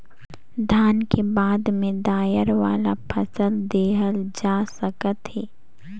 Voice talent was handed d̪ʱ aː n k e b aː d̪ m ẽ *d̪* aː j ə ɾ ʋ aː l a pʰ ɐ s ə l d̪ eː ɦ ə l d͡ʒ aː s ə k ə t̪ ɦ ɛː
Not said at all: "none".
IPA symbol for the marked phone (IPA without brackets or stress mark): d̪